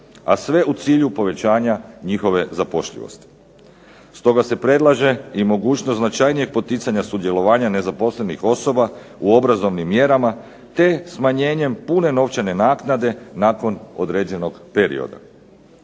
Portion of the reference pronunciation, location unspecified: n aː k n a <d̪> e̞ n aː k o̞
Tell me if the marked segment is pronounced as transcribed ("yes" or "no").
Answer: yes